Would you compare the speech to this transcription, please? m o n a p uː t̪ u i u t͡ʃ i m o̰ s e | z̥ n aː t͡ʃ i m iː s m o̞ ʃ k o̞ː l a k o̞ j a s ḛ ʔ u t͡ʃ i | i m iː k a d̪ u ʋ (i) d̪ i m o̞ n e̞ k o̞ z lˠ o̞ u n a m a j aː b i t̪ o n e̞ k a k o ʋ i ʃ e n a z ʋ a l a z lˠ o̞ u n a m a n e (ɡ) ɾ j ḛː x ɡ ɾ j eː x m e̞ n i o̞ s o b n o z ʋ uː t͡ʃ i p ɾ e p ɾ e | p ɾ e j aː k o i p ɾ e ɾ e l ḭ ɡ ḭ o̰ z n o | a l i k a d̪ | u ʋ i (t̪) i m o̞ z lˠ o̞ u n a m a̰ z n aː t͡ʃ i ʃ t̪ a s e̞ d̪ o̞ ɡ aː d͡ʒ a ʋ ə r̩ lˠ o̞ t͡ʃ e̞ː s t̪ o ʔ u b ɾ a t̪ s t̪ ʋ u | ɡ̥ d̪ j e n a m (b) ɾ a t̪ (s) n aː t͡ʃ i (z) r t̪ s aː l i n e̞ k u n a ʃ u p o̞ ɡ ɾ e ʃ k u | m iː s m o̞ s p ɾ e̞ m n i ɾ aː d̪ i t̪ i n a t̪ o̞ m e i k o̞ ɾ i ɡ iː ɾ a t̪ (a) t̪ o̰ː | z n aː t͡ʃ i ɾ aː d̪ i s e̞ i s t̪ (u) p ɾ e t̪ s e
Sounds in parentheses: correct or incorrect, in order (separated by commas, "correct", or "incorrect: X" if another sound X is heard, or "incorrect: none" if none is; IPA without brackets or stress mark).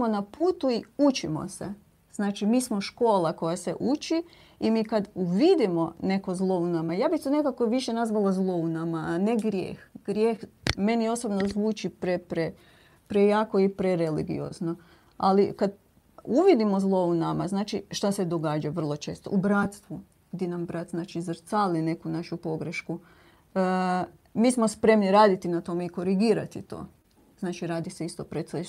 correct, correct, incorrect: d̪, correct, incorrect: z, correct, incorrect: i, incorrect: o